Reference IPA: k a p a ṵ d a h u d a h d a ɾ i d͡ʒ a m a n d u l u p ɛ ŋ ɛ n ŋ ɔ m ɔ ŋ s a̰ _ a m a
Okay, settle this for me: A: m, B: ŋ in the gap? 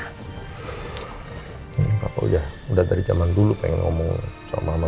A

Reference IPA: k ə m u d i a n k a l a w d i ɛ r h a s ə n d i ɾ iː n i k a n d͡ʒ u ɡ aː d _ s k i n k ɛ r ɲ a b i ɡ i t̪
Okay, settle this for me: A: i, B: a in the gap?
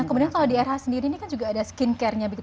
B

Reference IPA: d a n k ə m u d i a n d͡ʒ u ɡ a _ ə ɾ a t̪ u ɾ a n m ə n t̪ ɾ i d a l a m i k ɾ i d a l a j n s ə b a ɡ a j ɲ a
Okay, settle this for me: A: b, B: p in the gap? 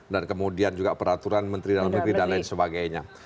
B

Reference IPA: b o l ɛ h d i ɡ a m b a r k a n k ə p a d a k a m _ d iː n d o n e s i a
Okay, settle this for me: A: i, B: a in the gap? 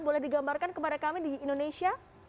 A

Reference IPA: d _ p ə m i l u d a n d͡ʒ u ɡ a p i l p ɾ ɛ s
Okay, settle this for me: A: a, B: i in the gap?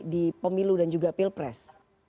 B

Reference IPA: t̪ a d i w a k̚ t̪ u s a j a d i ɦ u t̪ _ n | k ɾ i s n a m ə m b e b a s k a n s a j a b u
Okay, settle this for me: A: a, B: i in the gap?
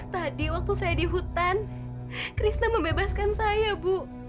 A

